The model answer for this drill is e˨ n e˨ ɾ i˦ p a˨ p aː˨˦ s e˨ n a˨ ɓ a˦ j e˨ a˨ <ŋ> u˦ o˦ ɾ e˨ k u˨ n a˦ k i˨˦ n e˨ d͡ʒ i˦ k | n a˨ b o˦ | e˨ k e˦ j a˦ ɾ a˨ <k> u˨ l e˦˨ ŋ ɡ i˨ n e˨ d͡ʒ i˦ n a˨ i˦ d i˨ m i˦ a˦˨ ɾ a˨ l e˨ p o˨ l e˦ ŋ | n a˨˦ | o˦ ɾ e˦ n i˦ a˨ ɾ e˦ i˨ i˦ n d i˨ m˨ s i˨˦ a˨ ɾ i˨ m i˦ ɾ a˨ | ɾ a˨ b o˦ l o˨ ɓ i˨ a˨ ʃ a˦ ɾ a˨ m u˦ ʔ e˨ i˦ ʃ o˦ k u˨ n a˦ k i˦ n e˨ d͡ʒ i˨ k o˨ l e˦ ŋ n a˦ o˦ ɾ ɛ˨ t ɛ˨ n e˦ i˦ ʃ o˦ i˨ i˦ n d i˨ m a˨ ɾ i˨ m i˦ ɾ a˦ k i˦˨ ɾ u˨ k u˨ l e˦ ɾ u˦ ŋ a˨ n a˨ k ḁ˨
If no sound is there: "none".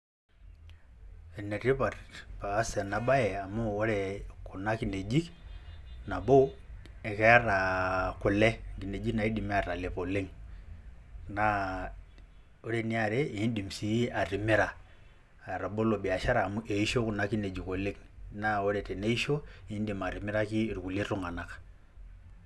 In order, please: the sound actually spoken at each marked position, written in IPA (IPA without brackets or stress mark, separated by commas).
m, k